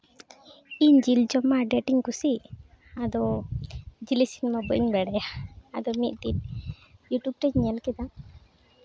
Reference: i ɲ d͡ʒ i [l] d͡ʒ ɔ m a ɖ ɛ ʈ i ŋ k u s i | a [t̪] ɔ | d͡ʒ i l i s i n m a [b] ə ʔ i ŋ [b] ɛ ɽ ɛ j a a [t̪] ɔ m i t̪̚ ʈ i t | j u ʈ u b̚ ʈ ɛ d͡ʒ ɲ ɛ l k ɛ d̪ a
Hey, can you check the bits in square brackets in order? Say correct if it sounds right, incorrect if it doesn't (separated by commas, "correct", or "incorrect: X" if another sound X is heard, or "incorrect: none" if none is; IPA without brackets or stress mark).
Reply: correct, incorrect: d̪, correct, correct, incorrect: d̪